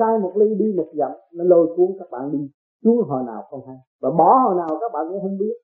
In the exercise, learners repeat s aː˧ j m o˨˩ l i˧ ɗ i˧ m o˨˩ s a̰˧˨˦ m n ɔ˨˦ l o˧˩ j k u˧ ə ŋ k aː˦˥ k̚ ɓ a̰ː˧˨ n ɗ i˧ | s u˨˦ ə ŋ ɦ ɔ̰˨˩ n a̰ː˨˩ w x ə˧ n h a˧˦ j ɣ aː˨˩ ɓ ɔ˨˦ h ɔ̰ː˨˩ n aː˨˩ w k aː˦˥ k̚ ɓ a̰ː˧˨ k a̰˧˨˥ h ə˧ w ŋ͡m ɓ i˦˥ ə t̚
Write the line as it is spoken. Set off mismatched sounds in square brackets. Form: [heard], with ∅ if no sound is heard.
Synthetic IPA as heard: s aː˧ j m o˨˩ l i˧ ɗ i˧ m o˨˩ [z] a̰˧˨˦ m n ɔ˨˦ l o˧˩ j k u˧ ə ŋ k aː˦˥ k̚ ɓ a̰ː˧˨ n ɗ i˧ | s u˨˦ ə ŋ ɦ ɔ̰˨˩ n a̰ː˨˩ w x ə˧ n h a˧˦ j [v] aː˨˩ ɓ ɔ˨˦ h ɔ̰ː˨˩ n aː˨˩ w k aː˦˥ k̚ ɓ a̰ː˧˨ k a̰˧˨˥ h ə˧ w ŋ͡m ɓ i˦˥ ə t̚